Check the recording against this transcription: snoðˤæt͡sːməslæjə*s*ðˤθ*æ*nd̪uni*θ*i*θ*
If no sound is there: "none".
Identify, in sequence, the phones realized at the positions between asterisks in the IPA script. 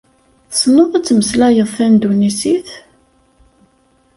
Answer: none, æ, s, θ

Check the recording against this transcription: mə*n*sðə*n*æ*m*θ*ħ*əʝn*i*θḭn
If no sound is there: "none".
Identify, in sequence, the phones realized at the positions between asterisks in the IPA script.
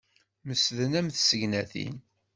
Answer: none, n, m, s, æ

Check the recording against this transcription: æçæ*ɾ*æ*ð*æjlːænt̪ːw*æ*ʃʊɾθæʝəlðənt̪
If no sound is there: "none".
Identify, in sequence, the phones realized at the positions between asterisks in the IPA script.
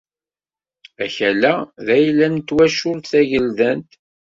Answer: l, ð, æ

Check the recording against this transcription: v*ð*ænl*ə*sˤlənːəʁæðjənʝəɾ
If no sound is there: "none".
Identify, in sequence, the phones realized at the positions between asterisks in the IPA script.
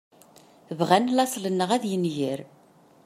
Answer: ʁ, ɑ

